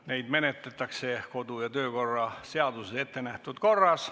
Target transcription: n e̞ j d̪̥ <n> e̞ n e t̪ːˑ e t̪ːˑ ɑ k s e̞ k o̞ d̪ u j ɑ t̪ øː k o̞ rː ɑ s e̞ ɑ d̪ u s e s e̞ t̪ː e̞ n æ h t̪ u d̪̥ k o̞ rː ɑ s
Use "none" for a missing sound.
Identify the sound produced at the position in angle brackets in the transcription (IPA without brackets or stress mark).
m